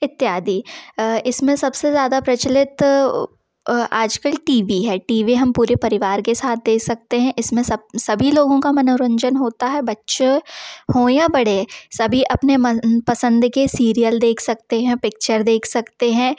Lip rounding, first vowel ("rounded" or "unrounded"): unrounded